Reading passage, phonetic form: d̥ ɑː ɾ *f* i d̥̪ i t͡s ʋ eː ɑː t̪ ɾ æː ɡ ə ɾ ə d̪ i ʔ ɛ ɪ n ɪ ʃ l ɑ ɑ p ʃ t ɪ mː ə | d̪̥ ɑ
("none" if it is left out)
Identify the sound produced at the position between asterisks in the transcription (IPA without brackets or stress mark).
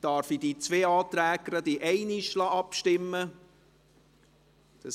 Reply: f